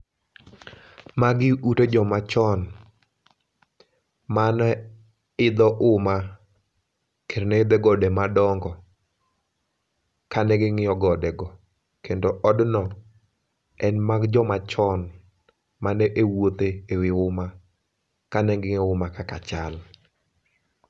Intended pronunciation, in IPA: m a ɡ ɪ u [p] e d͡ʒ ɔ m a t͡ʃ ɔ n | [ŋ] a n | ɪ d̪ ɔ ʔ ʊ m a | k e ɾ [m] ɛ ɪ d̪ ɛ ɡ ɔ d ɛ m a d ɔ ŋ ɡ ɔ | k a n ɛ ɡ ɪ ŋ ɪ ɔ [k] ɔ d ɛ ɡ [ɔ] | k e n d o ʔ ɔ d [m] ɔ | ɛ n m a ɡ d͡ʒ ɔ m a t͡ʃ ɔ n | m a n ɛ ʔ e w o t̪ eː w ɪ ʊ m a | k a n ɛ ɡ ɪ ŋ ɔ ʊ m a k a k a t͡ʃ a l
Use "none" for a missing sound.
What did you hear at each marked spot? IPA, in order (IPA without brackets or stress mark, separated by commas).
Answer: t, m, n, ɡ, ɔ, n